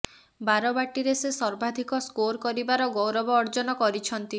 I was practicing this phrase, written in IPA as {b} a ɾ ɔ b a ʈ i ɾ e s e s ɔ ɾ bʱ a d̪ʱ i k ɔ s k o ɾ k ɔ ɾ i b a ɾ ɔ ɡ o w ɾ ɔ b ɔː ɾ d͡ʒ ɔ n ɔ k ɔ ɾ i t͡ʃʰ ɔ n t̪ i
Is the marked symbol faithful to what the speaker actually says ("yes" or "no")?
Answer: yes